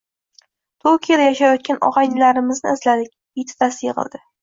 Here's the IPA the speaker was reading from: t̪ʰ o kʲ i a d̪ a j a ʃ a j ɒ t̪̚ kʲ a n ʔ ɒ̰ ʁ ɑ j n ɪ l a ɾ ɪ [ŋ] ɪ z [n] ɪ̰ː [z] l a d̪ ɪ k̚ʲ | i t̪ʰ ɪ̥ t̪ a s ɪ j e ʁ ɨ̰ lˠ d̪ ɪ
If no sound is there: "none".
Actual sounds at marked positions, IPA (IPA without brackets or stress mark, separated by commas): m, n, z